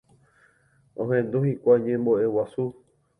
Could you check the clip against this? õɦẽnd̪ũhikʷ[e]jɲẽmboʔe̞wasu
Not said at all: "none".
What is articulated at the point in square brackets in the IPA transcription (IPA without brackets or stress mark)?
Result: a